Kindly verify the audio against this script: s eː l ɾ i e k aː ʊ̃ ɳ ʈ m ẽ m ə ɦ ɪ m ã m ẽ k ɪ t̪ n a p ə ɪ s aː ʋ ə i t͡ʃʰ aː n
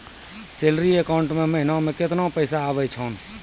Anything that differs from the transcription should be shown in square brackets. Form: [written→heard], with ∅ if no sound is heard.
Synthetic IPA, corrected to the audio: s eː l ɾ i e k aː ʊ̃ ɳ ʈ m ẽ m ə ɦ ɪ [m→n] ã m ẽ k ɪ t̪ n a p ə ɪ s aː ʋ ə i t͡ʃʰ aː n